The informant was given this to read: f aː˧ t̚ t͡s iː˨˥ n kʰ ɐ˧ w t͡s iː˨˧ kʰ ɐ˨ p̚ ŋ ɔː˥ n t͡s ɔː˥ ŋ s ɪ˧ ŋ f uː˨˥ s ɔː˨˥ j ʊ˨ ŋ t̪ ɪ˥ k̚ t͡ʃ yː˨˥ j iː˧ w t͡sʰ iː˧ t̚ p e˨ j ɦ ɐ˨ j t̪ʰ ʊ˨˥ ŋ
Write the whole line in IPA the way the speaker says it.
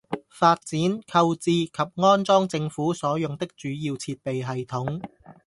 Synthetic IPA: f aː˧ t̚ t͡s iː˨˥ n kʰ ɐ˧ w t͡s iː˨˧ kʰ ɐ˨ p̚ ŋ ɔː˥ n t͡s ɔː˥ ŋ t͡s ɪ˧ ŋ f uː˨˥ s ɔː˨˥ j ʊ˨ ŋ t̪ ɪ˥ k̚ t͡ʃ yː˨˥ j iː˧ w t͡sʰ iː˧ t̚ p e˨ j ɦ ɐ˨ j t̪ʰ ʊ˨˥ ŋ